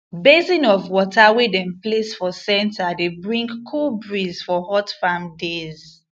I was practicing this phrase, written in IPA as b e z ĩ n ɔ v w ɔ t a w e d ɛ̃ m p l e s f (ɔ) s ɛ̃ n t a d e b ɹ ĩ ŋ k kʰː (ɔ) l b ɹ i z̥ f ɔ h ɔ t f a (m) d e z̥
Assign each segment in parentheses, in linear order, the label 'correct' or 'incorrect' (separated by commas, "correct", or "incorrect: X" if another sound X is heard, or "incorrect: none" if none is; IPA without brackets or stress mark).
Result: correct, incorrect: u, correct